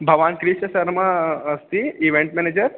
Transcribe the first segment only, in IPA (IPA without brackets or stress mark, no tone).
bʱ